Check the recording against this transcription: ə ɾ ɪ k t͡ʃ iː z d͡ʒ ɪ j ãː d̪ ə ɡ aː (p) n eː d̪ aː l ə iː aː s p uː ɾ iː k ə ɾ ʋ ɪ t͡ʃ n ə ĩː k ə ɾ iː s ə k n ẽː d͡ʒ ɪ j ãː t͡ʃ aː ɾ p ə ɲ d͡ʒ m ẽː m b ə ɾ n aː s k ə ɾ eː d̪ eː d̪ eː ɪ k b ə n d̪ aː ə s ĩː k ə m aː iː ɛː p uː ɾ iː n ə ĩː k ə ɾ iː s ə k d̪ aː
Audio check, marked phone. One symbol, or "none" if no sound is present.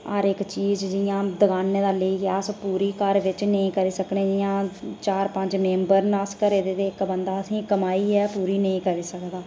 none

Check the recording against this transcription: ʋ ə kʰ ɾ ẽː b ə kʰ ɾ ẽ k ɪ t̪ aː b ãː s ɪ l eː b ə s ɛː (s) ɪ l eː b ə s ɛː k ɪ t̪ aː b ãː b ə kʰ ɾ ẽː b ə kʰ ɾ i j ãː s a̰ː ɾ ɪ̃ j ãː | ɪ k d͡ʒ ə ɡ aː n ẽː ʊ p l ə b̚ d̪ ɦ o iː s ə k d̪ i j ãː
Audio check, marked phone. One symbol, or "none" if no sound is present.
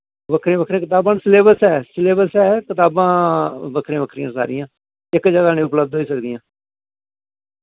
s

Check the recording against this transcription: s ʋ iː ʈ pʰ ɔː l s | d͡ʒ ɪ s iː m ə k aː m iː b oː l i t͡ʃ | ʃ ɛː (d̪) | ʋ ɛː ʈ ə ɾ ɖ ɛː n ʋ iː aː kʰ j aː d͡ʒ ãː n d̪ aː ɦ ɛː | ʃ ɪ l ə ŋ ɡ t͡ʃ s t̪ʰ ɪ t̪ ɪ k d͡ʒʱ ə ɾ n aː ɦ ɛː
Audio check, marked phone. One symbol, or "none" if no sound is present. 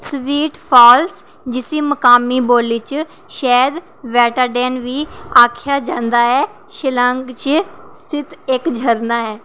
d̪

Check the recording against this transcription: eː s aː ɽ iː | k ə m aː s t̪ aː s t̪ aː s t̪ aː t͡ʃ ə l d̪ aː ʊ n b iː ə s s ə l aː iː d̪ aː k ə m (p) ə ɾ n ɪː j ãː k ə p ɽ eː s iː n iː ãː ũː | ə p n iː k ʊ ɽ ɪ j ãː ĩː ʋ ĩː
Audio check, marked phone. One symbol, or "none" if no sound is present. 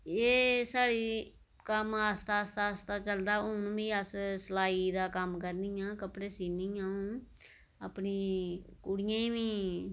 k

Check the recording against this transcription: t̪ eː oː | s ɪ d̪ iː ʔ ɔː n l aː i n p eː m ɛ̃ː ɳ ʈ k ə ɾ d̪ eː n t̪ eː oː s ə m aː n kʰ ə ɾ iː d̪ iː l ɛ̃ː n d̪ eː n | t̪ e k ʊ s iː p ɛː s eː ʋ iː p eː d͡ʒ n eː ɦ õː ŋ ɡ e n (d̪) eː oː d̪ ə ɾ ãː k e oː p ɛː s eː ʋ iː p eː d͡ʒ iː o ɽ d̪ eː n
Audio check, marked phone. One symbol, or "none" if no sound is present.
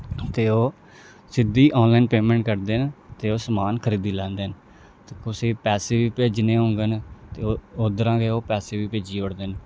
t̪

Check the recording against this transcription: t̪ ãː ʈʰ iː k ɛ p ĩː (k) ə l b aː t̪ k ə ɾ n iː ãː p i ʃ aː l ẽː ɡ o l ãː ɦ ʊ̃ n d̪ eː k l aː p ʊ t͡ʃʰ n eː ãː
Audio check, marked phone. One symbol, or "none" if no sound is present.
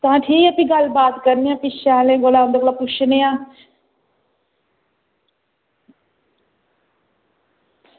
ɡ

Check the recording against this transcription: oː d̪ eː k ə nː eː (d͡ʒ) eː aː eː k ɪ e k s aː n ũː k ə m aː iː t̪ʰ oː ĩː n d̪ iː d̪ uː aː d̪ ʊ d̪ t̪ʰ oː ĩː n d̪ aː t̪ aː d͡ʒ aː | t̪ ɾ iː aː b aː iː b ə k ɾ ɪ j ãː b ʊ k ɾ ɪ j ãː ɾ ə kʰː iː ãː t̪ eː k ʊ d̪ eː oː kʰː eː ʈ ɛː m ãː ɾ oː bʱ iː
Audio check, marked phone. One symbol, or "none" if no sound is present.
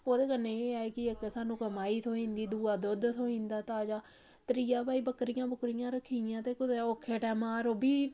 none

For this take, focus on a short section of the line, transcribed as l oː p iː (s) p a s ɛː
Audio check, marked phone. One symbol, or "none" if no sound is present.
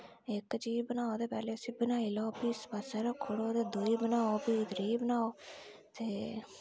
s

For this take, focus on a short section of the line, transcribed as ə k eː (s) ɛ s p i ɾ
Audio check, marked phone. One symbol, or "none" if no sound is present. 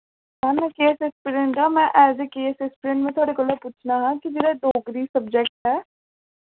s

